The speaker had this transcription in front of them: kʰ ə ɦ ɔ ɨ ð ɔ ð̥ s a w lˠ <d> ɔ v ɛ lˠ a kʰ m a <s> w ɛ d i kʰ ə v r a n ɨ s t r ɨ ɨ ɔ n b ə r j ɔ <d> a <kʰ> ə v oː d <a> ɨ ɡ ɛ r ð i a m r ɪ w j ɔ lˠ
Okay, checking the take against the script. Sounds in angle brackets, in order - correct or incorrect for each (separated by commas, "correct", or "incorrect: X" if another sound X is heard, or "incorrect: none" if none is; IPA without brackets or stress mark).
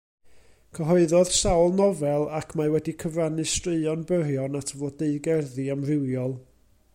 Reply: incorrect: n, incorrect: none, incorrect: n, incorrect: tʰ, incorrect: e